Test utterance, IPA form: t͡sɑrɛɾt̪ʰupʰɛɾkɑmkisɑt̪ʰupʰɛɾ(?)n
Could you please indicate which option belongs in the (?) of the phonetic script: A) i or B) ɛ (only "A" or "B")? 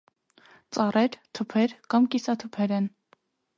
B